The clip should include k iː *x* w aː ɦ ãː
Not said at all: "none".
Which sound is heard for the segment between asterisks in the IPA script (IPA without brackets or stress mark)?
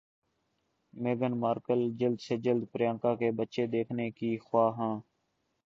x